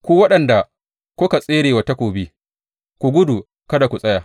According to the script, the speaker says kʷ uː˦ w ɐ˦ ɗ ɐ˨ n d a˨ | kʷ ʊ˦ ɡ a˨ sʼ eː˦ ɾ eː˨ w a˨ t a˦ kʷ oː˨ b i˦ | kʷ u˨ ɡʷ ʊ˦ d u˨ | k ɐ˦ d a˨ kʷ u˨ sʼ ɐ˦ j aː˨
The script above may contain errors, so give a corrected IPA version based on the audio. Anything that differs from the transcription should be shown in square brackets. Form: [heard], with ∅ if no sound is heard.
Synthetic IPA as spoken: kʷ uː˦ w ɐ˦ ɗ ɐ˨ n d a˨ | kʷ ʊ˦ [k] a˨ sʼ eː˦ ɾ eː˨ w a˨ t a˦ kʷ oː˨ b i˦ | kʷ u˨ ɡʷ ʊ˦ d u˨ | k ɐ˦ d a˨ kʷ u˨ sʼ ɐ˦ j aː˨